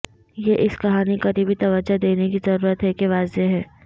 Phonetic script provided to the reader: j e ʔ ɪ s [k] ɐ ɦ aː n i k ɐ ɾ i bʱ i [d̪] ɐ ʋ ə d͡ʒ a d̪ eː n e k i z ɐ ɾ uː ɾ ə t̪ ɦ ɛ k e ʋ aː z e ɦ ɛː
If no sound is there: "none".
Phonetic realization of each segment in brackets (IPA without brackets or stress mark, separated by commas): k, t̪